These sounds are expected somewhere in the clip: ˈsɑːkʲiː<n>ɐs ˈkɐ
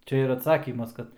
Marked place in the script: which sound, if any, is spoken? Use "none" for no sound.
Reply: m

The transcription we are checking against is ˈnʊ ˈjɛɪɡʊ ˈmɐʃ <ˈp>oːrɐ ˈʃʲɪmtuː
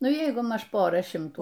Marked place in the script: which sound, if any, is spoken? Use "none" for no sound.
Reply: p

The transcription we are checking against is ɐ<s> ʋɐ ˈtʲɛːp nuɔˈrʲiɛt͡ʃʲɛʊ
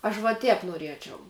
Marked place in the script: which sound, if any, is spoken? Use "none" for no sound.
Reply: ʃ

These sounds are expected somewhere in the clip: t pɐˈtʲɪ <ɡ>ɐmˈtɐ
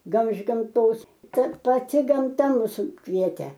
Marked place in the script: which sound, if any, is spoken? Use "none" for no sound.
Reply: ɡ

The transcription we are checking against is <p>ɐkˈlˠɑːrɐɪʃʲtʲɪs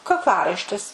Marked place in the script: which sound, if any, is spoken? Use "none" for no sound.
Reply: k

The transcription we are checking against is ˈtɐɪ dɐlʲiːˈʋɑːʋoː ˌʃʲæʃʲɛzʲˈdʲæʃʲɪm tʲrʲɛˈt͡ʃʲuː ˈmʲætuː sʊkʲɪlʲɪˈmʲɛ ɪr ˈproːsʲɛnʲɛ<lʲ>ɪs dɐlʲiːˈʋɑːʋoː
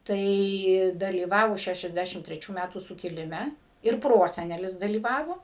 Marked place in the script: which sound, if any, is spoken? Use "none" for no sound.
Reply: lʲ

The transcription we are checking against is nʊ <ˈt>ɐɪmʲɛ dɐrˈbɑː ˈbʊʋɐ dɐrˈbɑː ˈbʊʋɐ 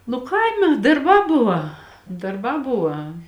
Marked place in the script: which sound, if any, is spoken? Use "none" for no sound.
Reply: k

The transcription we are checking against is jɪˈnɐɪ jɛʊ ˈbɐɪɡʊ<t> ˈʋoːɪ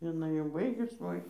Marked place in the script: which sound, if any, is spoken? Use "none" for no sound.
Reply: s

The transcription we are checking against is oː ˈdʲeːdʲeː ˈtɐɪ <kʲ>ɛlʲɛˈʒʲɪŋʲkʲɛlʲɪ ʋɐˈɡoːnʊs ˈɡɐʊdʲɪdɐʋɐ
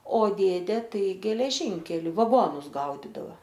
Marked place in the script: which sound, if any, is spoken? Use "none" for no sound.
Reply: ɡʲ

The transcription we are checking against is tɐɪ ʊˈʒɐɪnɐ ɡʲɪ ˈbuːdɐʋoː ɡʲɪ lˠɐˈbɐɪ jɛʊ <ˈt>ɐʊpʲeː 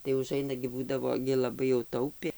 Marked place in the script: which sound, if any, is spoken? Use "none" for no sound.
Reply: t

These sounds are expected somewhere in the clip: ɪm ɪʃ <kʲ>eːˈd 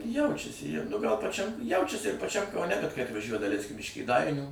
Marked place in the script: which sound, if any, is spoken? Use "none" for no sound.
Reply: kʲ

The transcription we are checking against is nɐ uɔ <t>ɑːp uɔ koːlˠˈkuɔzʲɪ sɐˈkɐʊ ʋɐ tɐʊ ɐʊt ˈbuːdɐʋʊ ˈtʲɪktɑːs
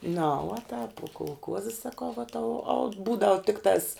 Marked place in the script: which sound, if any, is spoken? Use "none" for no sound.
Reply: t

